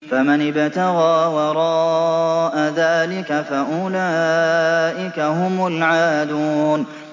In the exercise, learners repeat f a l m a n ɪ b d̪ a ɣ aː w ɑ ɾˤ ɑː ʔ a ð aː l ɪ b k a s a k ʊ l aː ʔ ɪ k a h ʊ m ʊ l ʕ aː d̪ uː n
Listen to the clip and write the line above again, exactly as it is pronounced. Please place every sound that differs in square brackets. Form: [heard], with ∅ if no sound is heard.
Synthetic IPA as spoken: f a [∅] m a n ɪ b [t̪] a ɣ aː w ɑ ɾˤ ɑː ʔ a ð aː l ɪ [∅] k a [f] a [ʔ] ʊ l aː ʔ ɪ k a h ʊ m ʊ l ʕ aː d̪ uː n

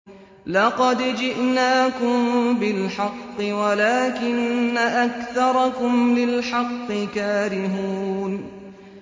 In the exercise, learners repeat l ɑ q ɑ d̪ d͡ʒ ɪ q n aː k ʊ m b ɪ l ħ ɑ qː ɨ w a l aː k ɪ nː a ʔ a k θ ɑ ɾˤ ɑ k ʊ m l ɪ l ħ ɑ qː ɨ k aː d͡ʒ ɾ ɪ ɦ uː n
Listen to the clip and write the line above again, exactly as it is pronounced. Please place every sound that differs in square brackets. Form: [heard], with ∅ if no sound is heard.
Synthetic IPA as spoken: l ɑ q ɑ d̪ d͡ʒ ɪ [ʔ] n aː k ʊ m b ɪ l ħ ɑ qː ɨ w a l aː k ɪ nː a ʔ a k θ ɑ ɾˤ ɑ k ʊ m l ɪ l ħ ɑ qː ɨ k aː [∅] ɾ ɪ ɦ uː n

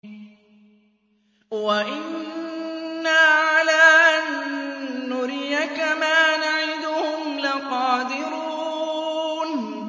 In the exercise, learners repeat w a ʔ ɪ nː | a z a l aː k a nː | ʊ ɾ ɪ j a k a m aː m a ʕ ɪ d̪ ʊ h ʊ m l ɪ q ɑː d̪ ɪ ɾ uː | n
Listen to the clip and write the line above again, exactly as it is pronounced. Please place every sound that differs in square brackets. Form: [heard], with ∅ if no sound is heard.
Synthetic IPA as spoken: w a ʔ ɪ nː | a [ʕ] a l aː [ʔ] a nː | ʊ ɾ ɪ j a k a m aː [n] a ʕ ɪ d̪ ʊ h ʊ m l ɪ q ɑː d̪ ɪ ɾ uː | n

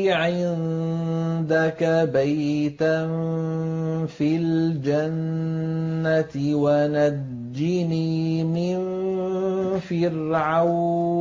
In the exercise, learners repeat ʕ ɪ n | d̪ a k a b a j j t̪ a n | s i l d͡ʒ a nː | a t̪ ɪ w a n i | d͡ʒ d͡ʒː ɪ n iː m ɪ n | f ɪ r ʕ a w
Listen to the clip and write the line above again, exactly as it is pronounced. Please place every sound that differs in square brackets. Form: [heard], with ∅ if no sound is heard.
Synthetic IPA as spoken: ʕ ɪ n | d̪ a k a b a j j t̪ a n | [f] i l d͡ʒ a nː | a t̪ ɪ w a n [a] | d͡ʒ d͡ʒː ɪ n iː m ɪ n | f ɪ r ʕ a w

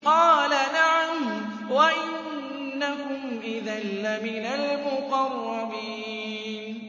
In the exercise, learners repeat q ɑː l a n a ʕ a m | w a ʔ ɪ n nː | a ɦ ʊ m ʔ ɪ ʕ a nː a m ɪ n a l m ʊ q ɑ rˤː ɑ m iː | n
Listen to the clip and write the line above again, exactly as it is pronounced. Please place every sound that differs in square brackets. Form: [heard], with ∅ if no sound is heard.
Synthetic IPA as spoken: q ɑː l a n a ʕ a m | w a ʔ ɪ n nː | a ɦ ʊ m ʔ ɪ [ð] a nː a m ɪ n a l m ʊ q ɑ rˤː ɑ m iː | n

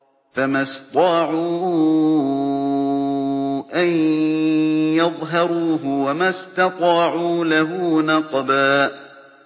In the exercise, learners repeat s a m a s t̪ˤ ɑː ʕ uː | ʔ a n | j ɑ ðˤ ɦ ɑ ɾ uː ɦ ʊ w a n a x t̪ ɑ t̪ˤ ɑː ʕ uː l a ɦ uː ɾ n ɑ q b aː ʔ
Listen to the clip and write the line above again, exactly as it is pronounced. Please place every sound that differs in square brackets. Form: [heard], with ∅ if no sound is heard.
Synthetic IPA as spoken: [f] a m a s t̪ˤ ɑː ʕ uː | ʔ a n | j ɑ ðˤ ɦ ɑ ɾ uː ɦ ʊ w a [m] a [s] t̪ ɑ t̪ˤ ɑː ʕ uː l a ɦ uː [∅] n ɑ q b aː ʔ

